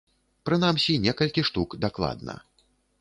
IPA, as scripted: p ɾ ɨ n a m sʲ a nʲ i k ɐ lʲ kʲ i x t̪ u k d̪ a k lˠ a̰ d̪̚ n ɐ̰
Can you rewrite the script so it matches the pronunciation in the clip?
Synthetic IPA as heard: p ɾ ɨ n a m sʲ i nʲ ɛ k ɐ lʲ kʲ i ʂ t̪ u k d̪ a k lˠ a̰ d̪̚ n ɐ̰

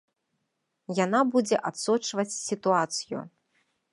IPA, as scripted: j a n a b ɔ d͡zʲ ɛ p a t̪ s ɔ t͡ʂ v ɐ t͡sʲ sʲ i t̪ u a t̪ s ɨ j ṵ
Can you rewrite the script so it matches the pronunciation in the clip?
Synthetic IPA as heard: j a n a b u d͡zʲ ɛ ʔ a t̪ s ɔ t͡ʂ v ɐ t͡sʲ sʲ i t̪ u a t̪ s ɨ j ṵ

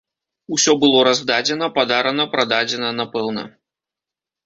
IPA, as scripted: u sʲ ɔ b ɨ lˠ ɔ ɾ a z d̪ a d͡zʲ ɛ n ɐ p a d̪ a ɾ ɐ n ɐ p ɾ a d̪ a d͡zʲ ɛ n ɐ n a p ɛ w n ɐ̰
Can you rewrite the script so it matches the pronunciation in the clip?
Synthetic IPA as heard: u sʲ ɔ b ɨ lˠ ɔ ɾ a z d̪ a d͡zʲ ɛ n ɐ p a d̪ a ɾ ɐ n ɐ p ɾ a d̪ a d͡zʲ ɛ n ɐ n a p ɛ w n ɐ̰

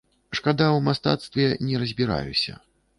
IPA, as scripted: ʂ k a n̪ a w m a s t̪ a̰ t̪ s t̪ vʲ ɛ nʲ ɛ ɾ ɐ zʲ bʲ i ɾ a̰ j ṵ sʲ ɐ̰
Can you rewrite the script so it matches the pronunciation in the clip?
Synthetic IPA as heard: ʂ k a d̪ a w m a s t̪ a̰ t̪ s t̪ vʲ ɛ nʲ ɛ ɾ ɐ zʲ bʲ i ɾ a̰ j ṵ sʲ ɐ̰

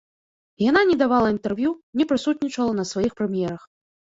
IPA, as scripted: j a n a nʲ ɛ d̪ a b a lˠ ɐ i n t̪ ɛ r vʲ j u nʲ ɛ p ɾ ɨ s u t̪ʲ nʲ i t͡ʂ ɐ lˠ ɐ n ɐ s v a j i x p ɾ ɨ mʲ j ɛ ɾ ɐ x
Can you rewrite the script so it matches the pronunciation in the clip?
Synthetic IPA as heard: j a n a nʲ ɛ d̪ a v a lˠ ɐ i n t̪ ɛ r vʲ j u nʲ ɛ p ɾ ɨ s u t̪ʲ nʲ i t͡ʂ ɐ lˠ ɐ n ɐ s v a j i x p ɾ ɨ mʲ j ɛ ɾ ɐ x

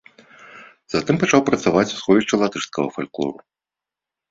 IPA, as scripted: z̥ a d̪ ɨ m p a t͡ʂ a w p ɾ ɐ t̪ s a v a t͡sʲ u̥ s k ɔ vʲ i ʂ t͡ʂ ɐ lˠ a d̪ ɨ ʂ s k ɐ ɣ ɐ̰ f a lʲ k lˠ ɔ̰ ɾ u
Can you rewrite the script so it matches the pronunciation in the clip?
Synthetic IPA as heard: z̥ a t̪ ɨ m p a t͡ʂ a w p ɾ ɐ t̪ s a v a t͡sʲ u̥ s x ɔ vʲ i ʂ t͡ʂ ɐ lˠ a t̪ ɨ ʂ s k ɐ ɣ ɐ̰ f a lʲ k lˠ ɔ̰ ɾ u

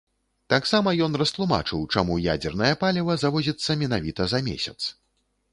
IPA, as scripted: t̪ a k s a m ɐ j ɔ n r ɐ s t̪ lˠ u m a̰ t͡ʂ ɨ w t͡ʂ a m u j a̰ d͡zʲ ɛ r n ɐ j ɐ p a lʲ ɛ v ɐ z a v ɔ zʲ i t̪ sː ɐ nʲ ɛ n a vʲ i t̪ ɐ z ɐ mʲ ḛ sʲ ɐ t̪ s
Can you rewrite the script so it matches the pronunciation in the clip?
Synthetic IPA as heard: t̪ a k s a m ɐ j ɔ n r ɐ s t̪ lˠ u m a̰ t͡ʂ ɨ w t͡ʂ a m u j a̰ d͡zʲ ɛ r n ɐ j ɐ p a lʲ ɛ v ɐ z a v ɔ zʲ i t̪ sː ɐ mʲ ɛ n a vʲ i t̪ ɐ z ɐ mʲ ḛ sʲ ɐ t̪ s

